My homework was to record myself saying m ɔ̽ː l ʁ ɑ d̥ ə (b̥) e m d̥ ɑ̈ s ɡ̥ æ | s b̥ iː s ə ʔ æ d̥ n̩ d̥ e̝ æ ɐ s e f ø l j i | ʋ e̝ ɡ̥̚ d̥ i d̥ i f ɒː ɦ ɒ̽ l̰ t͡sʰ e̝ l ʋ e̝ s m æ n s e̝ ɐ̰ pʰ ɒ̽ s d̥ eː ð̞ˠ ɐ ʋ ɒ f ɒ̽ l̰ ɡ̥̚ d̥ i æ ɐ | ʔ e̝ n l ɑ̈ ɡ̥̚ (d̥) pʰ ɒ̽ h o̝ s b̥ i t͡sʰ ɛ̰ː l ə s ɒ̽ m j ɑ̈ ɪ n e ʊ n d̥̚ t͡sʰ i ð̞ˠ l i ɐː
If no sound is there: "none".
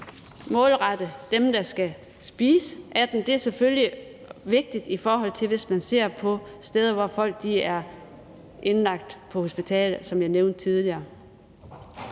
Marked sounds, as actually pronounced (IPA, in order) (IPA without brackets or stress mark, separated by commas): d̥, d̥